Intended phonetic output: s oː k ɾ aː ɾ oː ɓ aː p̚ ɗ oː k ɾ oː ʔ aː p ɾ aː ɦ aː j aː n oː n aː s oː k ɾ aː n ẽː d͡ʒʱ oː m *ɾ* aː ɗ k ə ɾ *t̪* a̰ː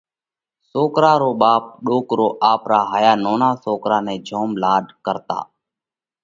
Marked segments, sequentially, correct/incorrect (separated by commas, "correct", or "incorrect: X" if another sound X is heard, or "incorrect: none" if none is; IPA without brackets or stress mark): incorrect: l, correct